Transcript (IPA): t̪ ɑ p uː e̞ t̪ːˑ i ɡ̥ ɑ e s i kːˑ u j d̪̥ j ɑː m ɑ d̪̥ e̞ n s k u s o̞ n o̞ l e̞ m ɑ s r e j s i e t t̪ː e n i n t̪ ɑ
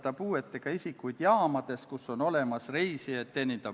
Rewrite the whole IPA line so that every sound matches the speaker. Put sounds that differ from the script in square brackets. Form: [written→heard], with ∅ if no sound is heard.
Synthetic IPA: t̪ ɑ p uː e̞ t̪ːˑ [i→e] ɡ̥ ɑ [e→i] s i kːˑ u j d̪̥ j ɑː m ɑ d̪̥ e̞ [n→∅] s k u s o̞ n o̞ l e̞ m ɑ s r e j s i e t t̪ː e n i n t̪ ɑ